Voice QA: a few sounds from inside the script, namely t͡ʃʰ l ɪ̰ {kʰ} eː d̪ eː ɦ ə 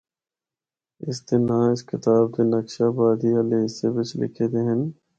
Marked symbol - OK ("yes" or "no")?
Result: yes